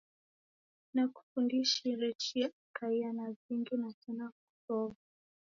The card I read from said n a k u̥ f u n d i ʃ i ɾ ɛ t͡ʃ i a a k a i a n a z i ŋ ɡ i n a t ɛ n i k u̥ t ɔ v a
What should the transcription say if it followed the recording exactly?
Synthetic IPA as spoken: n a k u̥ f u n d i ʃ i ɾ ɛ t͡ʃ i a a k a i a n a z i ŋ ɡ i n a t ɛ n a k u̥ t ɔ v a